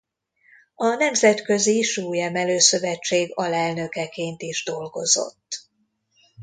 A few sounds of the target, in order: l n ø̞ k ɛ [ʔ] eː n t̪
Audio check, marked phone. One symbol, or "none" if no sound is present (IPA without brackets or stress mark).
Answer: k